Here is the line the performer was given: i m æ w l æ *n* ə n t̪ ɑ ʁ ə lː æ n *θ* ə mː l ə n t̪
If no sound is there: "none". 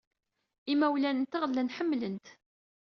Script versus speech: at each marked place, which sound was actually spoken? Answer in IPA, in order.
n, ħ

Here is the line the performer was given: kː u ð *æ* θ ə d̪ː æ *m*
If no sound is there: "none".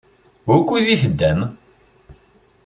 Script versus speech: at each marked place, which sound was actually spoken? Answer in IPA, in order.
i, m

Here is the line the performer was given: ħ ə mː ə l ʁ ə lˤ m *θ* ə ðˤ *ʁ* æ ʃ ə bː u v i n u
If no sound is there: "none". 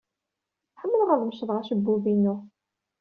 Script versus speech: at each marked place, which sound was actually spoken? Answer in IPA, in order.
ʃ, ʁ

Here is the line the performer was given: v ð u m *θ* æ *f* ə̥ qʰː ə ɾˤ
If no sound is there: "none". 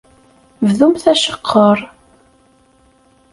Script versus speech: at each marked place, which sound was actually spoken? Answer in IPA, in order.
θ, ʃ

